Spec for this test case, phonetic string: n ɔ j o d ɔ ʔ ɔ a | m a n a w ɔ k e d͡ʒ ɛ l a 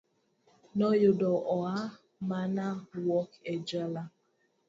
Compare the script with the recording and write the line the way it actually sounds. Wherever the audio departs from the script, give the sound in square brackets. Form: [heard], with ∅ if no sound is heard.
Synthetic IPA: n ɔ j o d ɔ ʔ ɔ a | m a n a w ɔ k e d͡ʒ [a] l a